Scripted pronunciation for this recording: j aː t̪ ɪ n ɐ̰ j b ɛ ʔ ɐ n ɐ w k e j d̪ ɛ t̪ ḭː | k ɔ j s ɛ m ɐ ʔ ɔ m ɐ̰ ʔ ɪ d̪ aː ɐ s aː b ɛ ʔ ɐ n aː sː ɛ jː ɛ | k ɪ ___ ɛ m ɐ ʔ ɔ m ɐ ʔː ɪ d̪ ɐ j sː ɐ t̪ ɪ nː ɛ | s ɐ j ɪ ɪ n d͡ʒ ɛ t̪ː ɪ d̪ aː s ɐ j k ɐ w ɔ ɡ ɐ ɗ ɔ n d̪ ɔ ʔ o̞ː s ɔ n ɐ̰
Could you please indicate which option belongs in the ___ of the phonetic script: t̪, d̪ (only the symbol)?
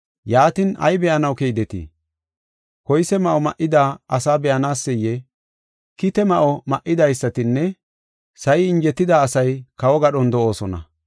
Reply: t̪